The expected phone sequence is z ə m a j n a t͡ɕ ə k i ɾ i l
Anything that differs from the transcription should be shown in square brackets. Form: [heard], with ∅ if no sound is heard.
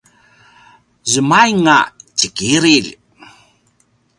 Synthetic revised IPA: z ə m a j [ŋ] a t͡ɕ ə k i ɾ i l